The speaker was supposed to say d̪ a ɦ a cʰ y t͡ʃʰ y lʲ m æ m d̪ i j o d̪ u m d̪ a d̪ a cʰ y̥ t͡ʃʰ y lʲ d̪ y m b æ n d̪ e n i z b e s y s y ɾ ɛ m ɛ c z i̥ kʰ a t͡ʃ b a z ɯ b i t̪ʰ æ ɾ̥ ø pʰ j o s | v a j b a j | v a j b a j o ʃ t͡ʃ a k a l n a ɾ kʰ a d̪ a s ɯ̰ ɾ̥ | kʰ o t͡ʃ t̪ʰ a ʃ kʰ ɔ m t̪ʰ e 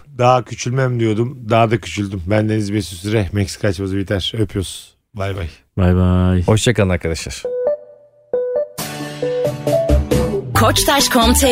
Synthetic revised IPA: d̪ a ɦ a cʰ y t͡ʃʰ y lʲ m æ m d̪ i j o d̪ u m d̪ a d̪ a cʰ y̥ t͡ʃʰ y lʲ d̪ y m b æ n d̪ e n i z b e s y s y ɾ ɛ m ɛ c s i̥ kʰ a t͡ʃ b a z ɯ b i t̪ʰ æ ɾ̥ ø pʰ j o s | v a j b a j | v a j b a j o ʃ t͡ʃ a k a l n a ɾ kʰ a d̪ a ʃ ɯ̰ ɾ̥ | kʰ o t͡ʃ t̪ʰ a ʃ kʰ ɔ m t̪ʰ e